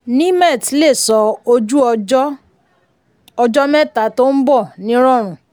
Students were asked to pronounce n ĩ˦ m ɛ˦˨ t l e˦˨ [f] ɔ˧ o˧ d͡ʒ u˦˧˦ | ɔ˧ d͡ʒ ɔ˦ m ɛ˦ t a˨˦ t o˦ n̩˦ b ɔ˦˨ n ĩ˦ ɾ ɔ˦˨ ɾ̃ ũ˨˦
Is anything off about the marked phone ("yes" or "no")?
yes